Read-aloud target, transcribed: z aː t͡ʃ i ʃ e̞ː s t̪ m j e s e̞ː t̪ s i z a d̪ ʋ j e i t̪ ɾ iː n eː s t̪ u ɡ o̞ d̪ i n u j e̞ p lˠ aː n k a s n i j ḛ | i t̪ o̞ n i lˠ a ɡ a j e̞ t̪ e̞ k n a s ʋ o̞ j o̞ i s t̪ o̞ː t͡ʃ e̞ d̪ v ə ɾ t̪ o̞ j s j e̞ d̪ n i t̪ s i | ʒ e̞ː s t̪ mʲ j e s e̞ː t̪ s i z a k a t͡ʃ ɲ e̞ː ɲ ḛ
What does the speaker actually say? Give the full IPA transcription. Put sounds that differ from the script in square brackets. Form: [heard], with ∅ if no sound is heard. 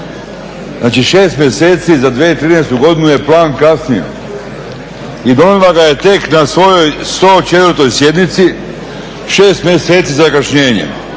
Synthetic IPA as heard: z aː t͡ʃ i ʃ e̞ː s t̪ m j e s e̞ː t̪ s i z a d̪ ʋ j e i t̪ ɾ iː n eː s t̪ u ɡ o̞ d̪ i n u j e̞ p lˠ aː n k a s n i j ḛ | i [d̪] o̞ n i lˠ a ɡ a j e̞ t̪ e̞ k n a s ʋ o̞ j o̞ [j] s t̪ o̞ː t͡ʃ e̞ [t̪] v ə ɾ t̪ o̞ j s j e̞ d̪ n i t̪ s i | [ʃ] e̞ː s t̪ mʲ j e s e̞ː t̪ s i z a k a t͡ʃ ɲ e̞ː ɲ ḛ